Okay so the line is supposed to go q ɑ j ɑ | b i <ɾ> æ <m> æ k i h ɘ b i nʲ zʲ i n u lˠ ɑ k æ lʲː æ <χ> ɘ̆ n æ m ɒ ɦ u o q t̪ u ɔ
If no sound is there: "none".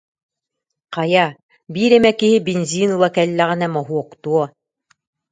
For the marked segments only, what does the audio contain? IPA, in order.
ɾ, m, ʁ

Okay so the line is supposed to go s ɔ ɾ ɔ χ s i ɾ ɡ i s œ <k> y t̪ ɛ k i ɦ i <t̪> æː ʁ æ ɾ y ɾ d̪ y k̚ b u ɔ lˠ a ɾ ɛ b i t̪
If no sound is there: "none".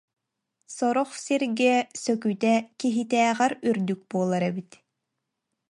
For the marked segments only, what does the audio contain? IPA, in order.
k, t̪

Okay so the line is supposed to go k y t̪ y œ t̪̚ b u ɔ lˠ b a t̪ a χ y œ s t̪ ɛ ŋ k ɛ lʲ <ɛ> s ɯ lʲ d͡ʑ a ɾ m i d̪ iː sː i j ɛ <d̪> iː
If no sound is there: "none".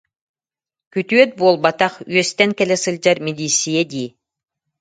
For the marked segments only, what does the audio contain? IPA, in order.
ɛ, d̪

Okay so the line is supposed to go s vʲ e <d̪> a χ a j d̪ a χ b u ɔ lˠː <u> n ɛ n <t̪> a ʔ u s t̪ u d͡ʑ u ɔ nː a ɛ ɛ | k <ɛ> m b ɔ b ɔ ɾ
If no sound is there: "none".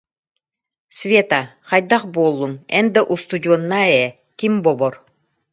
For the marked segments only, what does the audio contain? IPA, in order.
t̪, u, d̪, i

